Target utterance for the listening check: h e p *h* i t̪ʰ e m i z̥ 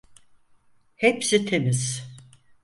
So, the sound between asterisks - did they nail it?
no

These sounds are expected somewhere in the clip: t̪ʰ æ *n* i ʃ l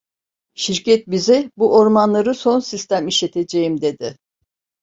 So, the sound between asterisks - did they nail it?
no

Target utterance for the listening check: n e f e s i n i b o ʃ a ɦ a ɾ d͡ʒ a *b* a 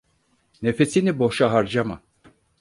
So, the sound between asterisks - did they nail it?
no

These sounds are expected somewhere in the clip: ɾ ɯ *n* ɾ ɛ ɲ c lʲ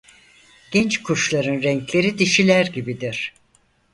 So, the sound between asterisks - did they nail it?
yes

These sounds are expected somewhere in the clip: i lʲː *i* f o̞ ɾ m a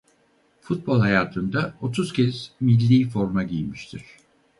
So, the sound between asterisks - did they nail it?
no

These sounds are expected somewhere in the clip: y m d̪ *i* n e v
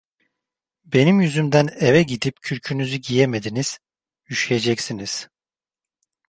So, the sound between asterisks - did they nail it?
no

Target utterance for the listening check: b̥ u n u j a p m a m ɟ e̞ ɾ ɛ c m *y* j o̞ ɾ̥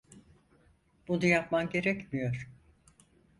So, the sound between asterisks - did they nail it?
no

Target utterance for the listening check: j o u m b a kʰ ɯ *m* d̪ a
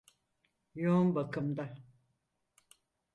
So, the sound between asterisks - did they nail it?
yes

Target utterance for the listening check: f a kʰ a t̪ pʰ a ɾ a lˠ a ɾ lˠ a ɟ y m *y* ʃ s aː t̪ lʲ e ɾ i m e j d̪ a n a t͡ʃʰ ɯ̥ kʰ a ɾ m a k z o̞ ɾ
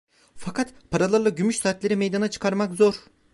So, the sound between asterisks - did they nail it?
yes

